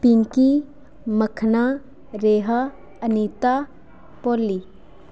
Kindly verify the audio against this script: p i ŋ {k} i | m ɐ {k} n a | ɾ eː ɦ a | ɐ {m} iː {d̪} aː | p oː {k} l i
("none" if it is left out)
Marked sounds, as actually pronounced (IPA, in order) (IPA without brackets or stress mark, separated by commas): k, kʰ, n, t̪, none